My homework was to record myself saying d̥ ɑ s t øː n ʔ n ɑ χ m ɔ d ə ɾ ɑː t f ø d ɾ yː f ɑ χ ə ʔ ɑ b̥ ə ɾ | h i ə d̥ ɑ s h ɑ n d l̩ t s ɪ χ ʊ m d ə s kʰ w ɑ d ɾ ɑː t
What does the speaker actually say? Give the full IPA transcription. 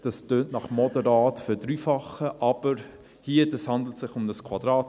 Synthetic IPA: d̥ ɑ s t øː n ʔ n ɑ χ m ɔ d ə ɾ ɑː t f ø d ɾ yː f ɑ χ ə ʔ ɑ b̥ ə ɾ | h i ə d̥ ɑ s h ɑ n d l̩ t s ɪ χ ʊ m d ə s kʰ w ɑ d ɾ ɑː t

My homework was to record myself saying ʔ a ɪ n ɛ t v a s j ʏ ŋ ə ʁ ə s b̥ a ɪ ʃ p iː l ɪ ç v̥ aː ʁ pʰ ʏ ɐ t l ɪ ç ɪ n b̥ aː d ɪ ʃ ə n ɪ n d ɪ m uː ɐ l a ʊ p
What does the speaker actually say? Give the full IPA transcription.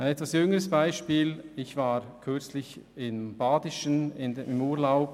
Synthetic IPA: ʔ a ɪ n ɛ t v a s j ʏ ŋ ə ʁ ə s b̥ a ɪ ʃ p iː l ɪ ç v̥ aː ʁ kʰ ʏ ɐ t͡s l ɪ ç ɪ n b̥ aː d ɪ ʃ ə n ɪ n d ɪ m uː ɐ l a ʊ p

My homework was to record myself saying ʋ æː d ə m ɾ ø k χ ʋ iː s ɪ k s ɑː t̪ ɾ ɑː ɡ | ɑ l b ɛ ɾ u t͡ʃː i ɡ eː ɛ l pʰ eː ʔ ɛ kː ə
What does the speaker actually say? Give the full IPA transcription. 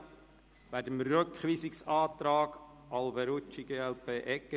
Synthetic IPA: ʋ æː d ə m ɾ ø k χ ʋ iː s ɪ k s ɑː t̪ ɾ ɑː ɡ | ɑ l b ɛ ɾ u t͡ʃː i ɡ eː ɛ l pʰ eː ʔ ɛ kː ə

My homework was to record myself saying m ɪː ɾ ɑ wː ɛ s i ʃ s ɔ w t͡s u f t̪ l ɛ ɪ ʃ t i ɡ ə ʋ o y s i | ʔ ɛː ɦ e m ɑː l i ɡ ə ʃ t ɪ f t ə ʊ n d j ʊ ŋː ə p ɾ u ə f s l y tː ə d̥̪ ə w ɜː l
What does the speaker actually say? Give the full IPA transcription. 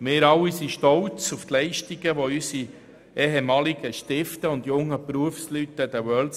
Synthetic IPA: m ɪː ɾ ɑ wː i s i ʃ t ɔ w t͡s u f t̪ l ɛ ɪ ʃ t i ɡ ə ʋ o y s i | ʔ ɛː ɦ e m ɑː l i ɡ ə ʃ t ɪ f t ə ʊ n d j ʊ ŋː ə p ɾ u ə f s l y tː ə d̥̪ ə w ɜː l

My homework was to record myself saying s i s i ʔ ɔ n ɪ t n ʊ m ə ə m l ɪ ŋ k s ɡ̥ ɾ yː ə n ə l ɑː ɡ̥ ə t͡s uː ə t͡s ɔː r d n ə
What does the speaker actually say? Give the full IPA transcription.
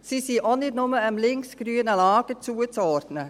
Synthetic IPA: s i s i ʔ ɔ n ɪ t n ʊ m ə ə m l ɪ ŋ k s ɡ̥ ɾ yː ə n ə l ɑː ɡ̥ ə t͡s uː ə t͡s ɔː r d n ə

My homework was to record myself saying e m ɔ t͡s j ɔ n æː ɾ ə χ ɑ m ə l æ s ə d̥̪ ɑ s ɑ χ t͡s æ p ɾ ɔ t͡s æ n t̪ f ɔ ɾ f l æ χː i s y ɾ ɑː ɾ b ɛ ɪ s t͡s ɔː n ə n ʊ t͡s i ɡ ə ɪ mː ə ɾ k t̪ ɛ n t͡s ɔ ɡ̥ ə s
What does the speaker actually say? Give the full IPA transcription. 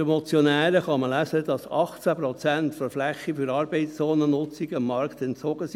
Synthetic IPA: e m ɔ t͡s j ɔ n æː ɾ ə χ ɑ m ə l æ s ə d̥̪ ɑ s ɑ χ t͡s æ p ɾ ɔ t͡s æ n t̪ f ɔ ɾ f l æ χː i f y ɾ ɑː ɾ b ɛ ɪ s t͡s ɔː n ə n ʊ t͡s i ɡ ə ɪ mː ɑ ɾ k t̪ ɛ n t͡s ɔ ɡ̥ ə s

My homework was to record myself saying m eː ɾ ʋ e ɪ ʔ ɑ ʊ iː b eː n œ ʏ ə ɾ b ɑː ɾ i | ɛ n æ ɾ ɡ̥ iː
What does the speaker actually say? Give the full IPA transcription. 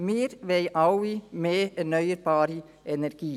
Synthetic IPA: m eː ɾ ʋ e ɪ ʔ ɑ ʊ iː m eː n œ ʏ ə ɾ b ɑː ɾ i | ɛ n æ ɾ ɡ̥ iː

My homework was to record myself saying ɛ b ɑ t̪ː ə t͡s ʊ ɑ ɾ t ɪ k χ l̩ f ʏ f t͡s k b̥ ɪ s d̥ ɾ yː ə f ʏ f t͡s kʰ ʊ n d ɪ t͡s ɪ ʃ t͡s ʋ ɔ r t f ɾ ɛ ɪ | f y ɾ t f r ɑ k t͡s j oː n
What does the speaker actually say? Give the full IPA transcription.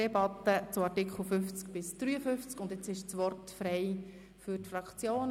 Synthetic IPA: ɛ b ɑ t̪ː ə t͡s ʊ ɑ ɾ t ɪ k χ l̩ f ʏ f t͡s k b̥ ɪ s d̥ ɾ yː ə f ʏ f t͡s k ʊ n d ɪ t͡s ɪ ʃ t͡s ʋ ɔ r t f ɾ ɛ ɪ | f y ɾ t f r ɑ k t͡s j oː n

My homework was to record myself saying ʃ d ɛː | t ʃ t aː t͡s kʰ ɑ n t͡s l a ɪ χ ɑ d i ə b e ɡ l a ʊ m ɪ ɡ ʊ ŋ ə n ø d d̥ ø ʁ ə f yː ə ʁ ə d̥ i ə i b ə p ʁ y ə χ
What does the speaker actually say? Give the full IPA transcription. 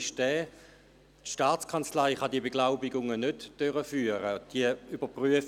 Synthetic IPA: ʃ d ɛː | t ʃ t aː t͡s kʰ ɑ n t͡s l a ɪ χ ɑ d i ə b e ɡ l a ʊ b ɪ ɡ ʊ ŋ ə n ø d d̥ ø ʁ ə f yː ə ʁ ə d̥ i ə y b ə p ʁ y ə f

